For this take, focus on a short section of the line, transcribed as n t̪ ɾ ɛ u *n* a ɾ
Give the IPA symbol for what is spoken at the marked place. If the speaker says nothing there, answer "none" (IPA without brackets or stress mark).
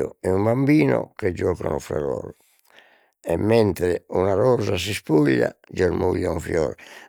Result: n